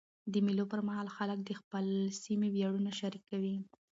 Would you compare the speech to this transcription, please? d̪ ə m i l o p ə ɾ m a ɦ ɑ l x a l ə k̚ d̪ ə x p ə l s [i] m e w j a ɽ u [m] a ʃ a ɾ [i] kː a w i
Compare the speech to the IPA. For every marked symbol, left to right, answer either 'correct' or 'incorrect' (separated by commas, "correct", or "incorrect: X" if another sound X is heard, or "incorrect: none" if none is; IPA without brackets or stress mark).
correct, incorrect: n, correct